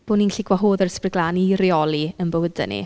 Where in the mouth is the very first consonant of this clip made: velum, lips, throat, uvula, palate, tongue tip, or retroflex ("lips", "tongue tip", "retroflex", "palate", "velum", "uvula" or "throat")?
lips